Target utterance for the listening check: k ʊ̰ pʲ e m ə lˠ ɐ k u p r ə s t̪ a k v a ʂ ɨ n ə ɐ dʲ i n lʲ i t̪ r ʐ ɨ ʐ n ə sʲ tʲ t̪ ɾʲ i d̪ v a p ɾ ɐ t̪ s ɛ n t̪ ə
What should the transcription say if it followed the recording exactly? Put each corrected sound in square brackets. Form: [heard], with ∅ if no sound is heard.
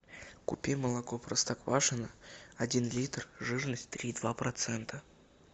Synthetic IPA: k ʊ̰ pʲ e m ə lˠ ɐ k [o] p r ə s t̪ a k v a ʂ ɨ n ə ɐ dʲ i n lʲ i t̪ r ʐ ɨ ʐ n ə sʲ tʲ t̪ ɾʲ i d̪ v a p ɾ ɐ t̪ s ɛ n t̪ ə